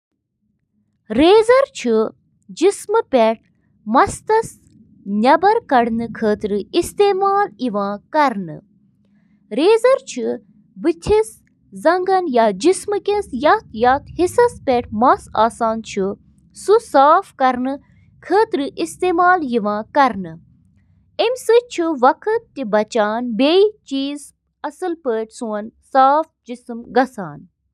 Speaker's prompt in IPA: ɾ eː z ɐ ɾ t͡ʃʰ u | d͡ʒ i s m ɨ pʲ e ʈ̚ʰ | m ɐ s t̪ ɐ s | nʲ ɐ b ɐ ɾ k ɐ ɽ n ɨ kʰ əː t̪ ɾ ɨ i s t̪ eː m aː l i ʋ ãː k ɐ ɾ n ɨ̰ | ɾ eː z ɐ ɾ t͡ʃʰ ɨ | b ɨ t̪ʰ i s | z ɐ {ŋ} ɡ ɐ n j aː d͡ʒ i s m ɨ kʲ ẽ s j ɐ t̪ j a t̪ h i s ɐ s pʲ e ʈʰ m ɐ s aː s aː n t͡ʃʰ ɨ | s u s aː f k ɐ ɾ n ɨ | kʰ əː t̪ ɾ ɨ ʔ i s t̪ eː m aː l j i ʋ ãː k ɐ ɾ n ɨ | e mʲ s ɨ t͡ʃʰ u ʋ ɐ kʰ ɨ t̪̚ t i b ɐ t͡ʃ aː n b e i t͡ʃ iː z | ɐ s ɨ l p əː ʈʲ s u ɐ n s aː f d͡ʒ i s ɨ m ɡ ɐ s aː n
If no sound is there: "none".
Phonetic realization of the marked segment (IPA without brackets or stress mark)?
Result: ŋ